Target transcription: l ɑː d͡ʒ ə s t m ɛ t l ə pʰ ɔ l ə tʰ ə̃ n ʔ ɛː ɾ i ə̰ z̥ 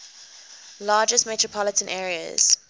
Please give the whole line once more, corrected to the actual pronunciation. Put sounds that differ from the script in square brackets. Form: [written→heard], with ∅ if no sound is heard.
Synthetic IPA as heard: l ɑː d͡ʒ ə s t m ɛ t [l→ɹ] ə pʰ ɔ l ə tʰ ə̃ n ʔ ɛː [ɾ→ɹ] i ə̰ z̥